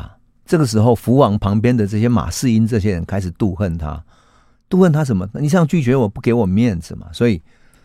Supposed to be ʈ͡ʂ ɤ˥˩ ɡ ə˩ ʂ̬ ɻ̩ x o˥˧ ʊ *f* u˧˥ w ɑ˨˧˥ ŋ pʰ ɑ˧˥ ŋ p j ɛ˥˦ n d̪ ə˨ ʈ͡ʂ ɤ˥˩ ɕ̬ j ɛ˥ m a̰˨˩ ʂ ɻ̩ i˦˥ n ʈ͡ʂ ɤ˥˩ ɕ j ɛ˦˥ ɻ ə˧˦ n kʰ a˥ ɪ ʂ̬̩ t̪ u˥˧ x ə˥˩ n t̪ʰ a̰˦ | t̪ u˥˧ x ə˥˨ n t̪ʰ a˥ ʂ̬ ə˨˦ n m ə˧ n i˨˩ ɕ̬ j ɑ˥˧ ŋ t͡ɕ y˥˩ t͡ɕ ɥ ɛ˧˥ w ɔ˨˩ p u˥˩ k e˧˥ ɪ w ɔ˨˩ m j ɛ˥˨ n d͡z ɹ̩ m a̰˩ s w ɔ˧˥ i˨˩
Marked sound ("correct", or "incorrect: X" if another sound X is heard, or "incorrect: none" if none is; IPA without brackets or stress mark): correct